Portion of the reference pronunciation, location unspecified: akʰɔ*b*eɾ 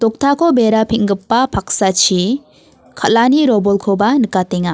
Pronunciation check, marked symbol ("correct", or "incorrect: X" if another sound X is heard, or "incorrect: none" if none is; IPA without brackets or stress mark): correct